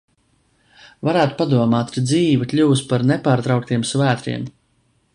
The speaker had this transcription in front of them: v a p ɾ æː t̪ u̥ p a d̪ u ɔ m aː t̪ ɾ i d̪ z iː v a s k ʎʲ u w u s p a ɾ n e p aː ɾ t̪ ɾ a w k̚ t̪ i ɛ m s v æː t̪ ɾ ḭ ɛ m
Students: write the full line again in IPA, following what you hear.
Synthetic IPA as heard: v a ɾ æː t̪ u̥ p a d̪ u ɔ m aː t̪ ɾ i d̪ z iː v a k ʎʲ u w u s p a ɾ n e p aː ɾ t̪ ɾ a w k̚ t̪ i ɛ m s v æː t̪ ɾ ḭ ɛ m